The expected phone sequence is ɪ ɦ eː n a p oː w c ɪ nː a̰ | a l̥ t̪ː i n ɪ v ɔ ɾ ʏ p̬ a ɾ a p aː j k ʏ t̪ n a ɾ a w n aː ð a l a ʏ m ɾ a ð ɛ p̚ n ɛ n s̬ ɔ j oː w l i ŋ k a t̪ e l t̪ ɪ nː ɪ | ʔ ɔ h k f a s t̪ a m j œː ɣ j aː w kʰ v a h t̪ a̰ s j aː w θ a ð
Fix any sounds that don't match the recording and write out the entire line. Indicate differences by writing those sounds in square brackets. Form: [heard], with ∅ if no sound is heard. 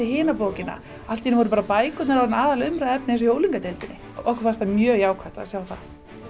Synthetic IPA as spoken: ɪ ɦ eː n a p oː w c ɪ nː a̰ | a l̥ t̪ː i n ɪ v ɔ ɾ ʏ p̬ a ɾ a p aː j k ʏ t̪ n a ɾ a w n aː ð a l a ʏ m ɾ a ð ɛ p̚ n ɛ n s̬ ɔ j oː w l i ŋ k a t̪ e l t̪ ɪ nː ɪ | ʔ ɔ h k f a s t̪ a m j œː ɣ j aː w kʰ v a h t̪ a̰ s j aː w θ a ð